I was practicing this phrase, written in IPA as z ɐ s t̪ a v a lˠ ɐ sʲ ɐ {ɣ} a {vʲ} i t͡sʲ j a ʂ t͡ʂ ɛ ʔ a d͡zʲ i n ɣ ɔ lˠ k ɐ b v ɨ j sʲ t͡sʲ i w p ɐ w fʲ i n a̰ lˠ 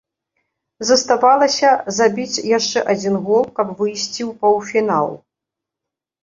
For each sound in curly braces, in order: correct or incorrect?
incorrect: z, incorrect: bʲ

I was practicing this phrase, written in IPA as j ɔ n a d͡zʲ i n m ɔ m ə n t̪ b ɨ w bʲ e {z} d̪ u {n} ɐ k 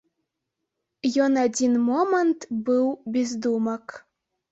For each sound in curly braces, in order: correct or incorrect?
correct, incorrect: m

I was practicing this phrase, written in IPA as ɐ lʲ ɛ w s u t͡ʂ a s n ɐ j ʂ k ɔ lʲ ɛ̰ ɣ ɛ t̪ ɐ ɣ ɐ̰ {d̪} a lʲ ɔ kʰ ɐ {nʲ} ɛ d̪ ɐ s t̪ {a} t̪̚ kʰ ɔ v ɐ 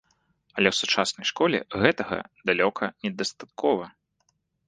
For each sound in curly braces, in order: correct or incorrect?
correct, correct, correct

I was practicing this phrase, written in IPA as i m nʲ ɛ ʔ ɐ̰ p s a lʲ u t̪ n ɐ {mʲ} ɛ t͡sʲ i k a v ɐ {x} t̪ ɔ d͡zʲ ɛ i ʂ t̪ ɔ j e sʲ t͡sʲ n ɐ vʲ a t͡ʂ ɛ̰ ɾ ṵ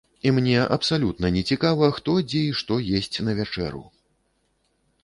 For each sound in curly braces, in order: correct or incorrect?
incorrect: nʲ, correct

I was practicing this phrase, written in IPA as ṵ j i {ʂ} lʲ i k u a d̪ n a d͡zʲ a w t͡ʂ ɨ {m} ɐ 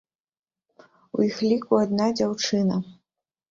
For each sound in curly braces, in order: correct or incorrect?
incorrect: x, incorrect: n

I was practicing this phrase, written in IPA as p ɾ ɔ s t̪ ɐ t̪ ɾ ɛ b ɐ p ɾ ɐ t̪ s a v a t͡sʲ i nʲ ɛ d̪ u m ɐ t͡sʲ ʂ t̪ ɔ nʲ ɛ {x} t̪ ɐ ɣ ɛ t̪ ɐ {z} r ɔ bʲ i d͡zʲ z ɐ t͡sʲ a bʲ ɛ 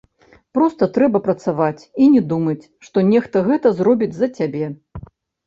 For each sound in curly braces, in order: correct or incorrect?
correct, correct

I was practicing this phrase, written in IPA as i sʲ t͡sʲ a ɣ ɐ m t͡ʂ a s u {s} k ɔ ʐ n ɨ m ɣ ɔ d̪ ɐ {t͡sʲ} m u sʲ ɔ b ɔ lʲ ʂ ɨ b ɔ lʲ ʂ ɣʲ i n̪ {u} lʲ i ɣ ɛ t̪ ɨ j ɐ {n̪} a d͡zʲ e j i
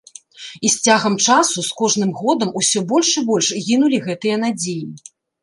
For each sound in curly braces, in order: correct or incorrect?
correct, incorrect: none, correct, correct

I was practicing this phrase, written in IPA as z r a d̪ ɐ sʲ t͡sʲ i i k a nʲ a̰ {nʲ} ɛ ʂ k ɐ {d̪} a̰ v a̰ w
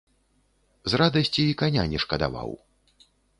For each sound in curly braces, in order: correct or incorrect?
correct, correct

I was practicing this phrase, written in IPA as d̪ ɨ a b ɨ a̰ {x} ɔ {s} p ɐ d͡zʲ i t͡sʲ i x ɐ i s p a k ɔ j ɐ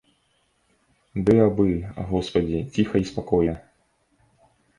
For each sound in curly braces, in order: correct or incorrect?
incorrect: ɣ, correct

